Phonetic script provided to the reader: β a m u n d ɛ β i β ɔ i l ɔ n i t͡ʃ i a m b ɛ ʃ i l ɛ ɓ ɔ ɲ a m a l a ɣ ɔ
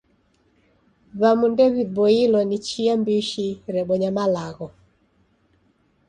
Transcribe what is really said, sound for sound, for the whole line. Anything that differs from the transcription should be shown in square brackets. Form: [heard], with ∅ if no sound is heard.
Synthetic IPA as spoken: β a m u n d ɛ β i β ɔ i l ɔ n i t͡ʃ i a m b [i] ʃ i [ɾ] ɛ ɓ ɔ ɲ a m a l a ɣ ɔ